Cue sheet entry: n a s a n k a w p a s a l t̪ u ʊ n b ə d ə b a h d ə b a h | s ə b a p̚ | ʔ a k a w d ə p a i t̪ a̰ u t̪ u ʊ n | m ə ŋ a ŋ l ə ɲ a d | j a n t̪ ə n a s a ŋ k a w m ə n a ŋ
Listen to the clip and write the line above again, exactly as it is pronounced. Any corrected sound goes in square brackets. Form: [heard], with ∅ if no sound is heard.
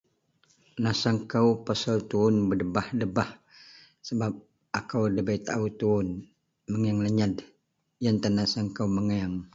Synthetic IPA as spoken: n a s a [ŋ] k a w p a s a l t̪ u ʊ n b ə d ə b a h d ə b a h | s ə b a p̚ | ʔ a k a w d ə [b] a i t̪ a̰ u t̪ u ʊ n | m ə ŋ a ŋ l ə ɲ a d | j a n t̪ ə n a s a ŋ k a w m ə [ŋ] a ŋ